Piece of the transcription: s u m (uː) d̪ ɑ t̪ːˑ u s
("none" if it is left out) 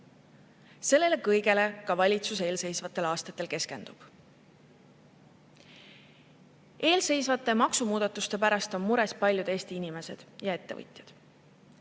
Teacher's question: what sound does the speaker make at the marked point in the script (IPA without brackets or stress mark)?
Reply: uː